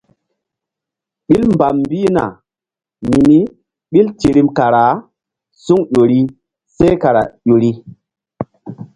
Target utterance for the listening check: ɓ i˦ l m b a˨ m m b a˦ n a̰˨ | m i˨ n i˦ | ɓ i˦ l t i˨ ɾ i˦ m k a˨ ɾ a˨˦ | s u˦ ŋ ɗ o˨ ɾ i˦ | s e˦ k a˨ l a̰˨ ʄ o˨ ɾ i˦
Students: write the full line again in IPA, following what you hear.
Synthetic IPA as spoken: ɓ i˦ l m b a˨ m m b i˦ n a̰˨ | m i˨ n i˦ | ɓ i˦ l t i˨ ɾ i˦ m k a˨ ɾ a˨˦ | s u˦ ŋ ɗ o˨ ɾ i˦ | s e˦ k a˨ ɾ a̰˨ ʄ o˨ ɾ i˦